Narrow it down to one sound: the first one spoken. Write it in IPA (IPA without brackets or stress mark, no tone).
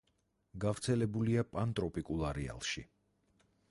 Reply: ɡ